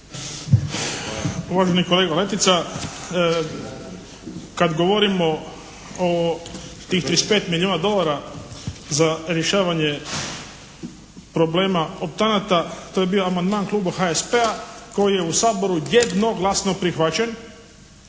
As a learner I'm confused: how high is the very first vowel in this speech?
high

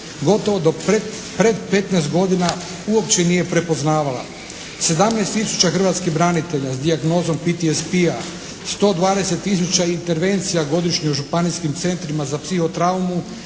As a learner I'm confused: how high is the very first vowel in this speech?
mid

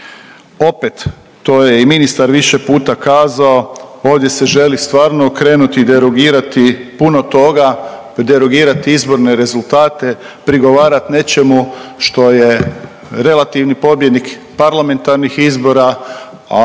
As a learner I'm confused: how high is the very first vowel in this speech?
mid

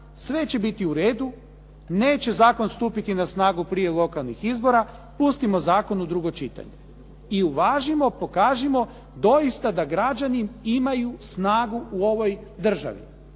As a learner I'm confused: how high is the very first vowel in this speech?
mid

